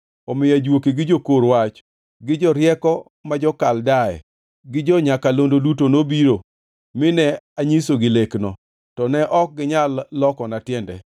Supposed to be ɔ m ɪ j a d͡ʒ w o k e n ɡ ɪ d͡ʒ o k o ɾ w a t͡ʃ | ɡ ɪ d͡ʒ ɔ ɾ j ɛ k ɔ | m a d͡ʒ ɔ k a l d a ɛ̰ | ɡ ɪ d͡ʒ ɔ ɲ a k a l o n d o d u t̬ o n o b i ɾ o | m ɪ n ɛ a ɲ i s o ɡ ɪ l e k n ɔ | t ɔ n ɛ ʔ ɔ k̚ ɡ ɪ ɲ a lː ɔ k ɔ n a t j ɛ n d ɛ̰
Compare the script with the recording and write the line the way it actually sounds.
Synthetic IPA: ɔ m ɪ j a d͡ʒ w o k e ɡ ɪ d͡ʒ o k o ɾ w a t͡ʃ | ɡ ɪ d͡ʒ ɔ ɾ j ɛ k ɔ | m a d͡ʒ ɔ k a l d a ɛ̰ | ɡ ɪ d͡ʒ ɔ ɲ a k a l o n d o d u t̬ o n o b i ɾ o | m ɪ n ɛ a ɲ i s o ɡ ɪ l e k n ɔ | t ɔ n ɛ ʔ ɔ k̚ ɡ ɪ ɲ a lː ɔ k ɔ n a t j ɛ n d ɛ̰